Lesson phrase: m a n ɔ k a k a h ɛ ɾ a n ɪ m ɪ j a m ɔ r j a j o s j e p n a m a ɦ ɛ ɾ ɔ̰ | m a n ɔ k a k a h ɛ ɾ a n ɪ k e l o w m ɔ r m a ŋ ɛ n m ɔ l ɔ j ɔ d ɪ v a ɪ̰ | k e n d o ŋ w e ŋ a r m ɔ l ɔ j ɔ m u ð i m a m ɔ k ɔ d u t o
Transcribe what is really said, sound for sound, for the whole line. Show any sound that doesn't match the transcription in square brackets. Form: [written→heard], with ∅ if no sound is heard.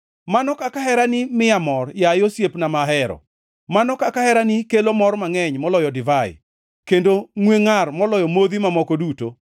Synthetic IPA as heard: m a n ɔ k a k a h ɛ ɾ a n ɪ m ɪ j a m ɔ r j a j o s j e p n a m a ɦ ɛ ɾ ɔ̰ | m a n ɔ k a k a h ɛ ɾ a n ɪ k e l o [w→∅] m ɔ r m a ŋ ɛ [n→ɲ] m ɔ l ɔ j ɔ d ɪ v a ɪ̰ | k e n d o ŋ w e ŋ a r m ɔ l ɔ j ɔ m [u→o] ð i m a m ɔ k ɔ d u t o